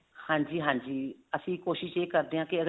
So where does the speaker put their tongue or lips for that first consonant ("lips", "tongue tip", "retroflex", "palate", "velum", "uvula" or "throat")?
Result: throat